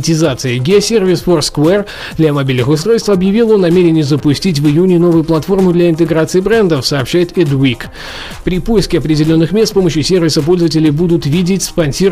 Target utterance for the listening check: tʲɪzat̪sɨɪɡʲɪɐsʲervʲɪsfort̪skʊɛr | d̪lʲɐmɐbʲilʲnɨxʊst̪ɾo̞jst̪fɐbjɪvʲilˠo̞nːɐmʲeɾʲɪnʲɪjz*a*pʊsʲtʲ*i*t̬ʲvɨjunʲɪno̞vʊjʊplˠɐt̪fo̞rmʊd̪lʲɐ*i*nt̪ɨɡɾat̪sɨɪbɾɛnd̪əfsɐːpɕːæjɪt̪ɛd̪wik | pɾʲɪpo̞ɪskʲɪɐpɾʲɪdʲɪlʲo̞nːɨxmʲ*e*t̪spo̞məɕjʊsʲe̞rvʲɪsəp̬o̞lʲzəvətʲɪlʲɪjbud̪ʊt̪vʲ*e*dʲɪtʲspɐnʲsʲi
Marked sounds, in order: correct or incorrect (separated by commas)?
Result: incorrect, correct, incorrect, correct, incorrect